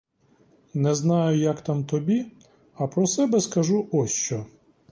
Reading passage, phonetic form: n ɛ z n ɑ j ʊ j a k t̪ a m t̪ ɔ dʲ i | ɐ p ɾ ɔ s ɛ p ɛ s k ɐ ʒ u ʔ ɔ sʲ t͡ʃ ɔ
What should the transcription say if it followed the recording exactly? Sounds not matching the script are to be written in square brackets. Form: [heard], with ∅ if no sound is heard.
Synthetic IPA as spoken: n ɛ z n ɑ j ʊ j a k t̪ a m t̪ ɔ [bʲ] i | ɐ p ɾ ɔ s ɛ [b] ɛ s k ɐ ʒ u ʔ ɔ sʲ t͡ʃ ɔ